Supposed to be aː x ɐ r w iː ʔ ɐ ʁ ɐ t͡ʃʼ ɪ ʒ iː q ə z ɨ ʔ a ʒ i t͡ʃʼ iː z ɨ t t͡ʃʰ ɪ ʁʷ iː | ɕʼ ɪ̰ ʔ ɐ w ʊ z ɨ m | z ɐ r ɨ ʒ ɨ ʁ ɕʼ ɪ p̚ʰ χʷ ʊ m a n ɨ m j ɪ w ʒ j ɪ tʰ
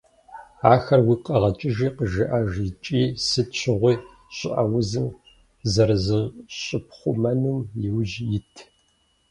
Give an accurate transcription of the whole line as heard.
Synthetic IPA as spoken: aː x ɐ r w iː q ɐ ʁ ɐ t͡ʃʼ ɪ ʒ iː q ə ʒ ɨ ʔ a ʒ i t͡ʃʼ iː s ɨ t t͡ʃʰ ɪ ʁʷ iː | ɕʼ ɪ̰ ʔ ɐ w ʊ z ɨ m | z ɐ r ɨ z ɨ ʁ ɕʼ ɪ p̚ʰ χʷ ʊ m ɐ n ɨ m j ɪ w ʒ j ɪ tʰ